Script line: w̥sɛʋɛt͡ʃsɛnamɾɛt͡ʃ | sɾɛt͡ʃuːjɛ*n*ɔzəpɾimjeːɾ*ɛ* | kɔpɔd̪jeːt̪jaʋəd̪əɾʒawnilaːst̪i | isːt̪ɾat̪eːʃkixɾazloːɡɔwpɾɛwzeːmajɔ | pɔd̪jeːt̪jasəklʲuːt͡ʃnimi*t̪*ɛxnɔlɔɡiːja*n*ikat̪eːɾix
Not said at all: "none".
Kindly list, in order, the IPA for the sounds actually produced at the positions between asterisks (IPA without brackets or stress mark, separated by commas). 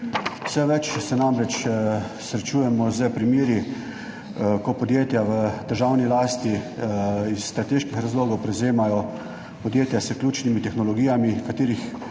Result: m, i, t̪, m